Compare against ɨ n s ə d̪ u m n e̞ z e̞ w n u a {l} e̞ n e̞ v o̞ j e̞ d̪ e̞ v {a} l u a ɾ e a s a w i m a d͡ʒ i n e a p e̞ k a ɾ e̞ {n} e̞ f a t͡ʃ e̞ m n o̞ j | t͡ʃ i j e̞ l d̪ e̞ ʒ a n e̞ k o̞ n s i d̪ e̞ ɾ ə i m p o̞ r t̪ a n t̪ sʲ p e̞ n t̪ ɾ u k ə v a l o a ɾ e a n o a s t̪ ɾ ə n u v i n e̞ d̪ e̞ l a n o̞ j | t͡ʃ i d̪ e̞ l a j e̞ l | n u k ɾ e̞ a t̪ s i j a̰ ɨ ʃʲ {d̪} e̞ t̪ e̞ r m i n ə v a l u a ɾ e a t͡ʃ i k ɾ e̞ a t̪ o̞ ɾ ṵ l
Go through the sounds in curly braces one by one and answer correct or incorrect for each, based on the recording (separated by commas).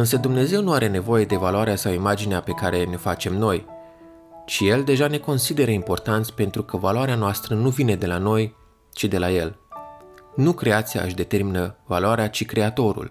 incorrect, correct, correct, correct